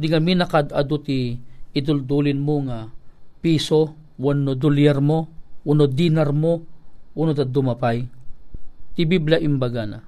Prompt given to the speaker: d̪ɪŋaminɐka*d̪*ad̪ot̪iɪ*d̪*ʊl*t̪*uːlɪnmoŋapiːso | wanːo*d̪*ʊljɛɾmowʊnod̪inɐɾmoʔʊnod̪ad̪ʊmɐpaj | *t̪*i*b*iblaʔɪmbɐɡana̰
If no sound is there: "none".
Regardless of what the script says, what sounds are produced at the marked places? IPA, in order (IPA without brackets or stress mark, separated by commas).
d̪, d̪, d̪, d̪, t̪, b